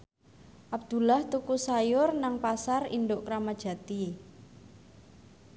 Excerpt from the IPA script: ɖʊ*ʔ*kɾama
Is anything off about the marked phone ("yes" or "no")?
no